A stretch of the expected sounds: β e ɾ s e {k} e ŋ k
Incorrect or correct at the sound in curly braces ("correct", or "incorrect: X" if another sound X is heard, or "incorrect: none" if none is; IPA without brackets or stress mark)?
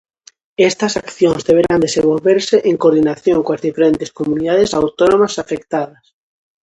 incorrect: ʔ